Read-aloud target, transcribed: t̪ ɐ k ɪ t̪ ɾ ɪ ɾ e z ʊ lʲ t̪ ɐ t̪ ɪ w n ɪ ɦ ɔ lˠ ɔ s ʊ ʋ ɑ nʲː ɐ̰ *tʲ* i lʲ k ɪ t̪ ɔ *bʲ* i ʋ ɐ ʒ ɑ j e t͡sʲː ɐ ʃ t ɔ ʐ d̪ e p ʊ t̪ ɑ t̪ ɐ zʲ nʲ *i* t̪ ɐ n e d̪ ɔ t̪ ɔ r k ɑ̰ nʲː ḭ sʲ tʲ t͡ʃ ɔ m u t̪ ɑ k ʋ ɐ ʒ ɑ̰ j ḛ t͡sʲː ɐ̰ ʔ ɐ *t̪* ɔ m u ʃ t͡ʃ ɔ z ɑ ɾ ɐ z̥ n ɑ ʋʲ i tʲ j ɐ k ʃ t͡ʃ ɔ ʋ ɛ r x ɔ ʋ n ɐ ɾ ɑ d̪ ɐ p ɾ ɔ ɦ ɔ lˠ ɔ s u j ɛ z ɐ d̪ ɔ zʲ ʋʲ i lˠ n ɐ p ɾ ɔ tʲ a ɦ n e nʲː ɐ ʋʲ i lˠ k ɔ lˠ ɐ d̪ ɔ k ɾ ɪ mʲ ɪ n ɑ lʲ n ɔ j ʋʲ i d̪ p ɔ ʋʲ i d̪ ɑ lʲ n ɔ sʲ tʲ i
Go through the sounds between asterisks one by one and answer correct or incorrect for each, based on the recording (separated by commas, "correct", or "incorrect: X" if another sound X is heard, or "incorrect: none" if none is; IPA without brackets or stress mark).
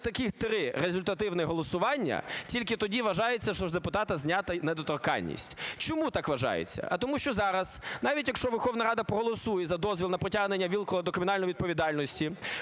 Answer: correct, incorrect: dʲ, incorrect: a, correct